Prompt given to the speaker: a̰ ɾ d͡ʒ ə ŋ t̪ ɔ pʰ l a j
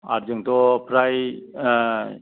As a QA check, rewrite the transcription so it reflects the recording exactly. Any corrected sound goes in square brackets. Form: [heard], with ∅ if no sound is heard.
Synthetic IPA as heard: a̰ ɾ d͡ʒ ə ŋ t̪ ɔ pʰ [ɾ] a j